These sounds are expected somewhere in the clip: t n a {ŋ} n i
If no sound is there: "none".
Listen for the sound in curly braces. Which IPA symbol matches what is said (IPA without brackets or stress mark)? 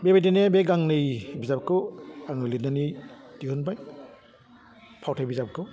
none